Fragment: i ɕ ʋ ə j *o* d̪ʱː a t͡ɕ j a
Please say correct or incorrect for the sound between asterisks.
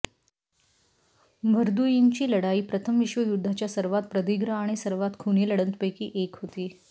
incorrect